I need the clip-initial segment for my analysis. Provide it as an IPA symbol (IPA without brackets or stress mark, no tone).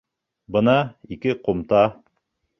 b